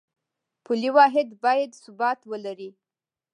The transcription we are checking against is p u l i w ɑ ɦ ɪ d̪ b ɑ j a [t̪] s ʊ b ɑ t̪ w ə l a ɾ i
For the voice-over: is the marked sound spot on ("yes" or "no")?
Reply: no